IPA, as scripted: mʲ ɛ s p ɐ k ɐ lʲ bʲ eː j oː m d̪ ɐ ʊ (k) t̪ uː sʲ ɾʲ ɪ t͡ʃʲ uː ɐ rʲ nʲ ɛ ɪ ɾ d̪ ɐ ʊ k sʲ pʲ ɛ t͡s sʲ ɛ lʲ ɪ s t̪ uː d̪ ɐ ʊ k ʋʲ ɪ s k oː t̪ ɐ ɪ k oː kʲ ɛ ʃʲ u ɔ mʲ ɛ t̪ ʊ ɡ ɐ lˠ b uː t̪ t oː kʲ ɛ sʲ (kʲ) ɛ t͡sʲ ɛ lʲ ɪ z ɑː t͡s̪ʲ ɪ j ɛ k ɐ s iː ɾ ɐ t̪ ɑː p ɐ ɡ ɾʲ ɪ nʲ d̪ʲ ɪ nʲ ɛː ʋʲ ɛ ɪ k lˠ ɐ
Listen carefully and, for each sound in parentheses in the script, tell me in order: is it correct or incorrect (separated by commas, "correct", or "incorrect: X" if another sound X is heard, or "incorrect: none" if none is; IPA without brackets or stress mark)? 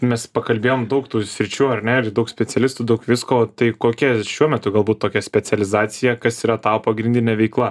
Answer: correct, incorrect: pʲ